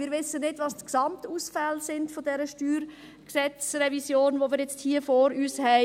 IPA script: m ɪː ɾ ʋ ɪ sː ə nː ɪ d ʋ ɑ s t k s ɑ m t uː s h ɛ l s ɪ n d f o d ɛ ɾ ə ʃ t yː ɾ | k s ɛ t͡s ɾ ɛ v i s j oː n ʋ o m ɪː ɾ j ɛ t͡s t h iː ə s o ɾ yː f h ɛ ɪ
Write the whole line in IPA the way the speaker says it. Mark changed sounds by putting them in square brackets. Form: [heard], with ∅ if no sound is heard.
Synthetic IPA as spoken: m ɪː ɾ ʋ ɪ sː ə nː ɪ d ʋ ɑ s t k s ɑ m t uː s [f] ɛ l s ɪ n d f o d ɛ ɾ ə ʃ t yː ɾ | k s ɛ t͡s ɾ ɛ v i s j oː n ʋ o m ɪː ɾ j ɛ t͡s t h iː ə [f] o ɾ yː [s] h ɛ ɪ